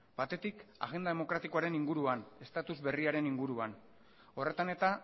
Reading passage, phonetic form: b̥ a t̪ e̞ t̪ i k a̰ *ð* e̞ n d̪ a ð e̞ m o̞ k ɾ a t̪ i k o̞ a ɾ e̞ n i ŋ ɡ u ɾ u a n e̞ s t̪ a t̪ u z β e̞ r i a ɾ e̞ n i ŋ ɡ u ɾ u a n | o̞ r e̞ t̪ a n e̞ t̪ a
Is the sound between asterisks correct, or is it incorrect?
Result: incorrect